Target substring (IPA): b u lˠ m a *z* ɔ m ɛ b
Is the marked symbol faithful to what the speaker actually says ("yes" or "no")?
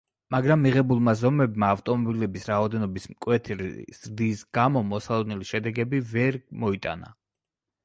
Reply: yes